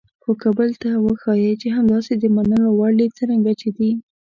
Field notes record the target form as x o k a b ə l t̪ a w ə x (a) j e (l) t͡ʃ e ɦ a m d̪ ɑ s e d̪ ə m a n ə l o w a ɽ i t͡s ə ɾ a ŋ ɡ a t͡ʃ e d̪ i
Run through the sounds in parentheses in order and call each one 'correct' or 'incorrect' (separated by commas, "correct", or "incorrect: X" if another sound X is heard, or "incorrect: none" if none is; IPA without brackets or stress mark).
incorrect: ɑ, incorrect: none